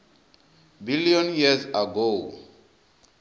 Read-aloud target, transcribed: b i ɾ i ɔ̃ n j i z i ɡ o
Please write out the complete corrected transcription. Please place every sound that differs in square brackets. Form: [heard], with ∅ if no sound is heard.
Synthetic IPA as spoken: b i [l] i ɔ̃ n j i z [a] ɡ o